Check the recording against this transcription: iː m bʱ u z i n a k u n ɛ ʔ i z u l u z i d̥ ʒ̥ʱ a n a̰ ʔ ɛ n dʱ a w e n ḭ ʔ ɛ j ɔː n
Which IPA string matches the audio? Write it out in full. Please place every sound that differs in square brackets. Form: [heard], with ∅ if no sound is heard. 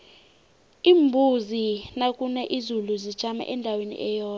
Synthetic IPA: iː m bʱ u z i n a [kʼ] u n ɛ ʔ i z u l u z i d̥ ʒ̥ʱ a [m] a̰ ʔ ɛ n dʱ a w e n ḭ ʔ ɛ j ɔː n